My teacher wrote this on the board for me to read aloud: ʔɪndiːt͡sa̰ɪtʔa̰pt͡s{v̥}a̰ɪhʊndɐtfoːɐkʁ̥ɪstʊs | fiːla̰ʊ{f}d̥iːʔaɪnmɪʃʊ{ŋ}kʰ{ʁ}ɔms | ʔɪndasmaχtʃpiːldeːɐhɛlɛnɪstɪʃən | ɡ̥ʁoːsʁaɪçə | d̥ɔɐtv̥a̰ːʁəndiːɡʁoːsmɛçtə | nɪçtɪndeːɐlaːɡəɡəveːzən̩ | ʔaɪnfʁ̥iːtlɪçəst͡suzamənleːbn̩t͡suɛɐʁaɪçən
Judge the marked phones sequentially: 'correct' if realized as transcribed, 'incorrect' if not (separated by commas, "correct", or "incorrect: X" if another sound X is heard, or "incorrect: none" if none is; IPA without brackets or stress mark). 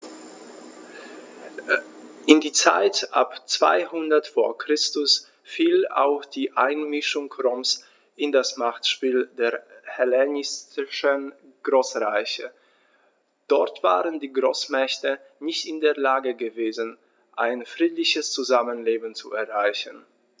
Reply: correct, incorrect: x, correct, correct